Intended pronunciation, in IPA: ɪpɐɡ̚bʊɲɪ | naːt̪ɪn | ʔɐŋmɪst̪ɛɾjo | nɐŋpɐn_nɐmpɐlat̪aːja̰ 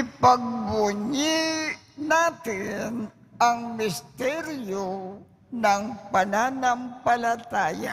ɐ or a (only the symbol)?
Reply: a